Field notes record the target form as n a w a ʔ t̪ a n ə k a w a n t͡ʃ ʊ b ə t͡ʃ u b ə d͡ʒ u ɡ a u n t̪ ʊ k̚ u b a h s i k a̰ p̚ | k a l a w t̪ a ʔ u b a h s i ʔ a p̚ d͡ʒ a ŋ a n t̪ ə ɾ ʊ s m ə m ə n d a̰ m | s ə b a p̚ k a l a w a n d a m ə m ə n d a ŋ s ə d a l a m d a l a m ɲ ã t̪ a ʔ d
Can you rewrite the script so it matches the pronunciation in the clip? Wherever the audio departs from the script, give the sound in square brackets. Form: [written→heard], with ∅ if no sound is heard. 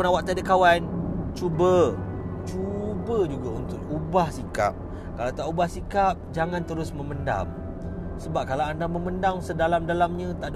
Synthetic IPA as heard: n a w a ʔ t̪ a [n→d] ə k a w a n t͡ʃ [ʊ→u] b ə t͡ʃ u b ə d͡ʒ u ɡ a u n t̪ ʊ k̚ u b a h s i k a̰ p̚ | k a l a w t̪ a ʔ u b a h s i [ʔ→k] a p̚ d͡ʒ a ŋ a n t̪ ə ɾ ʊ s m ə m ə n d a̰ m | s ə b a p̚ k a l a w a n d a m ə m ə n d a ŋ s ə d a l a m d a l a m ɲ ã t̪ a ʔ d